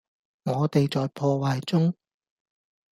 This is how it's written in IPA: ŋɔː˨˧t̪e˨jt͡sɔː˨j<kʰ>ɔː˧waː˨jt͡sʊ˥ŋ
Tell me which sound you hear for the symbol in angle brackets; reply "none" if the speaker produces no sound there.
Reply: pʰ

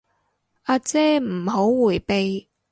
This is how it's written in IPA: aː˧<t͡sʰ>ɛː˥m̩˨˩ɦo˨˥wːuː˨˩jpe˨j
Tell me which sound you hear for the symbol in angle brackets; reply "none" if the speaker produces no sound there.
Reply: t͡s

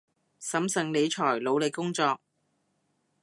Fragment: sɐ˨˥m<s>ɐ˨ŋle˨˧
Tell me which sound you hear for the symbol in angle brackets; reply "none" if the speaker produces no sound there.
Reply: s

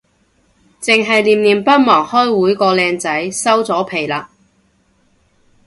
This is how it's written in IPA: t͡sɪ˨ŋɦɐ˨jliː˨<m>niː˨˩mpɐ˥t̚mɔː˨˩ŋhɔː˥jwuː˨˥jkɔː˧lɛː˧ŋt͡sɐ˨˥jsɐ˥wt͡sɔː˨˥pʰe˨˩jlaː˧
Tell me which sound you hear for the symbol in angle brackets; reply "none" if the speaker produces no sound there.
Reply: m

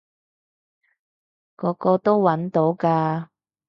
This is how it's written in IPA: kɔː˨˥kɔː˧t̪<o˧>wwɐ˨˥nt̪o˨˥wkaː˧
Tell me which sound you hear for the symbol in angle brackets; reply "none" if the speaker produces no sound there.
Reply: o˥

